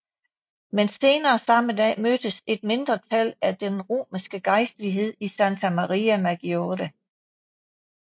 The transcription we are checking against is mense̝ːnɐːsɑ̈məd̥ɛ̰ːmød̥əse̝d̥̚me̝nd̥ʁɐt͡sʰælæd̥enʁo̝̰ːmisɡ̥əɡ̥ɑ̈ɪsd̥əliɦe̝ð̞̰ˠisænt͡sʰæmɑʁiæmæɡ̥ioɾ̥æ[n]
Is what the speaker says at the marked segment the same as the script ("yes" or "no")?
no